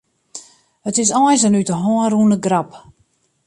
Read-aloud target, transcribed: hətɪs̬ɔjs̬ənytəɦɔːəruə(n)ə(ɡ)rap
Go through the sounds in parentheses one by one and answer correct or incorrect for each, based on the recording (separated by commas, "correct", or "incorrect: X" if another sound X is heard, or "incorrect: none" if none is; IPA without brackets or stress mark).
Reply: correct, correct